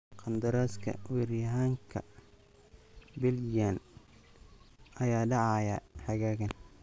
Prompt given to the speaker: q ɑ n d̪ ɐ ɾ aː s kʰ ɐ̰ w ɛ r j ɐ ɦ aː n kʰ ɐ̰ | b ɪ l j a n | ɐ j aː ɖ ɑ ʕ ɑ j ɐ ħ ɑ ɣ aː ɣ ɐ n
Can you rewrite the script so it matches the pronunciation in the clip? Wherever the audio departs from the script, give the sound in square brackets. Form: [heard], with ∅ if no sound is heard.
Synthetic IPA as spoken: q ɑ n d̪ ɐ ɾ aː s kʰ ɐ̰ w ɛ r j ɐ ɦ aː [ŋ] kʰ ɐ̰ | b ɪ l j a n | ɐ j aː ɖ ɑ ʕ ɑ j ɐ ħ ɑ ɣ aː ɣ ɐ n